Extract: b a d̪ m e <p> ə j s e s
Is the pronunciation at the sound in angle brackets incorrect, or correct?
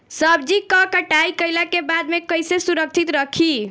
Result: incorrect